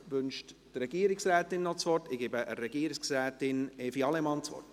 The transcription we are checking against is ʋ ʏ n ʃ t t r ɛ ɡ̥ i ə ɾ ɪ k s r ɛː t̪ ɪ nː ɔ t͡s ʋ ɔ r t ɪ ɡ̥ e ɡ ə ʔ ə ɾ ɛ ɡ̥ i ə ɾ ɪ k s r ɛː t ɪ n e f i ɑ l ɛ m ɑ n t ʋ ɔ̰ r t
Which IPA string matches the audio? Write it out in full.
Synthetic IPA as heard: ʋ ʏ n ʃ t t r ɛ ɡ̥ i ə ɾ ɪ k s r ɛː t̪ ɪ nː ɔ t͡s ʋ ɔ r t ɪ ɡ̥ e b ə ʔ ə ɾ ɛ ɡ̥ i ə ɾ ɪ k s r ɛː t ɪ n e f i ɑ l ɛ m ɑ n t͡s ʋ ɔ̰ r t